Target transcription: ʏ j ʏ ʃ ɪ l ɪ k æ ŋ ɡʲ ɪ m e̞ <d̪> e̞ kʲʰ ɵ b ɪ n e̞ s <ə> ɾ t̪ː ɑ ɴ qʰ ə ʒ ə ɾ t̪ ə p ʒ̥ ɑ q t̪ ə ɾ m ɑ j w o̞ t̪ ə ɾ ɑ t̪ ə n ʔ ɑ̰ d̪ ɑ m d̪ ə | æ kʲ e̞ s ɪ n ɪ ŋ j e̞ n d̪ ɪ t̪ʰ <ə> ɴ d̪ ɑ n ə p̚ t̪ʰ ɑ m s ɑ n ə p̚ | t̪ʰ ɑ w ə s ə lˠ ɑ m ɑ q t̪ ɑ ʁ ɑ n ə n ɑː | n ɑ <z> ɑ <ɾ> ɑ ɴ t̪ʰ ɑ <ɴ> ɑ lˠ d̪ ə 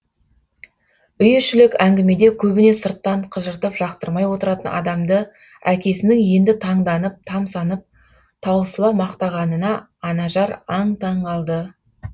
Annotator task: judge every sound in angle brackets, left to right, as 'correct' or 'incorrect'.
correct, correct, incorrect: ɑ, incorrect: ʒ, correct, correct

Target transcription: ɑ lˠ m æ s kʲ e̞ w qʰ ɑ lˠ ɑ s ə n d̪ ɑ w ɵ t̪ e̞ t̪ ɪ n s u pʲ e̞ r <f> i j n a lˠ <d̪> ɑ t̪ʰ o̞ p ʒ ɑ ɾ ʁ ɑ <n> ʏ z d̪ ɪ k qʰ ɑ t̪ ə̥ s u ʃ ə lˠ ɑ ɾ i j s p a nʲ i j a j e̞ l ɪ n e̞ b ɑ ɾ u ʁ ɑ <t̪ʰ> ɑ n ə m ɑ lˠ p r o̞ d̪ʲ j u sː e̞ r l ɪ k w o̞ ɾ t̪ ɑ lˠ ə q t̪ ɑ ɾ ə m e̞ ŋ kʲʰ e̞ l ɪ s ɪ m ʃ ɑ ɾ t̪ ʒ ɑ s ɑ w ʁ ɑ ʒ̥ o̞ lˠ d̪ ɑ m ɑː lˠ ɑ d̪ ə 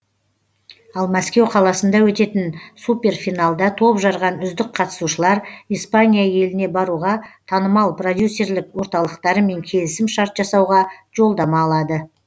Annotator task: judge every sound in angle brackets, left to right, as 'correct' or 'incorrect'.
correct, correct, correct, correct

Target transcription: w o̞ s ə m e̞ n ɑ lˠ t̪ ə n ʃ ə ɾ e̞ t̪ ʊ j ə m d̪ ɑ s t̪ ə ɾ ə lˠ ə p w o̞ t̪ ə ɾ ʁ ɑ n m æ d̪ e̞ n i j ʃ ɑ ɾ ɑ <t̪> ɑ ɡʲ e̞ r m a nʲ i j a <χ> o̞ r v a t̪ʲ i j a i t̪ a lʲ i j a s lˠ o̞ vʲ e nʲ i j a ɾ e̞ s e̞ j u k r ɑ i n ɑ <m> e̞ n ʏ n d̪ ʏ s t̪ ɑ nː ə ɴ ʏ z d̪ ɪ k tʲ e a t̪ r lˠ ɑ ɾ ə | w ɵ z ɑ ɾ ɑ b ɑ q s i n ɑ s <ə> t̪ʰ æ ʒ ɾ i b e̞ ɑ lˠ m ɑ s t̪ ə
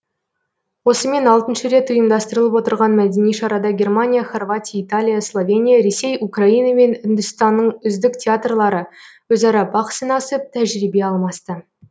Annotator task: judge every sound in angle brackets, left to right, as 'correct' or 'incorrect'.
incorrect: d̪, correct, correct, correct

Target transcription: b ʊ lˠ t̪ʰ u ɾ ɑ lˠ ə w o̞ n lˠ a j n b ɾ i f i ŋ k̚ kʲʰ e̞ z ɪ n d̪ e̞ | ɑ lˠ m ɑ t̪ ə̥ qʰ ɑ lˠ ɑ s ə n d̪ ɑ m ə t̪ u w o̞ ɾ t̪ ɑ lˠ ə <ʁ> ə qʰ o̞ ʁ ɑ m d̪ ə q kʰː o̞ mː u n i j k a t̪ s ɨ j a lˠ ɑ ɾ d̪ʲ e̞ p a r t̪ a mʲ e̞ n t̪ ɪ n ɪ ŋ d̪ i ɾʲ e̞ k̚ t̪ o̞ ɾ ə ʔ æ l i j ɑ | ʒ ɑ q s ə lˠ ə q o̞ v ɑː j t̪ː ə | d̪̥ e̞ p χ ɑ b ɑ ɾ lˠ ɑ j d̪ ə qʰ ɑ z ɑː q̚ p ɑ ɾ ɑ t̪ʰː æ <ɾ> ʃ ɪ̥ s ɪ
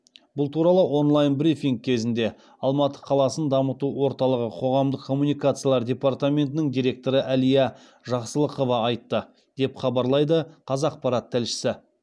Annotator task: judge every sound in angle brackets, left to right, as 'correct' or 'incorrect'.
correct, incorrect: l

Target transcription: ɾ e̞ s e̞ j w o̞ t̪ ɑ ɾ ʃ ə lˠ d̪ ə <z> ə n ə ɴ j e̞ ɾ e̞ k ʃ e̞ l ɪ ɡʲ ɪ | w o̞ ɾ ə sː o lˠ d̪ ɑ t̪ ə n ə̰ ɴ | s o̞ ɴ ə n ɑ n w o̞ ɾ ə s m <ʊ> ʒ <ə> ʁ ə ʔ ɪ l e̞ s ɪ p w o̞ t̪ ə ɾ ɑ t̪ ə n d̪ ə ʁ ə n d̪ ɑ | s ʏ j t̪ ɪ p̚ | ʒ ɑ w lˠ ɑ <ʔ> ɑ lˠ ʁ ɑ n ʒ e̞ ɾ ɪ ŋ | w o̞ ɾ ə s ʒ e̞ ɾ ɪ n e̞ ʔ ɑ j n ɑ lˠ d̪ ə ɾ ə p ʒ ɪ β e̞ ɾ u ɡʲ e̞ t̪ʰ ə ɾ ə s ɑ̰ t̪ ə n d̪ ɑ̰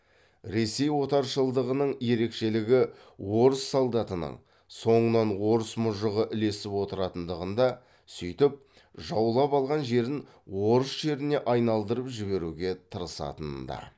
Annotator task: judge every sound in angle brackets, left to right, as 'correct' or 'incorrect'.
incorrect: ʁ, correct, correct, incorrect: p

